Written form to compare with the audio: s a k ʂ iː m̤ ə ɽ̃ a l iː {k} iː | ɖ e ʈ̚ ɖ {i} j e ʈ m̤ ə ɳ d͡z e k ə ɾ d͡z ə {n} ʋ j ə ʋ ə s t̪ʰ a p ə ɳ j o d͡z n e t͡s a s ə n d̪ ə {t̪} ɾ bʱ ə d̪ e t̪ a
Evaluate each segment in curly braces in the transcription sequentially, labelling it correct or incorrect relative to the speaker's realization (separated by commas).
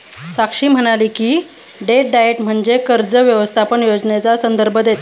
correct, incorrect, incorrect, incorrect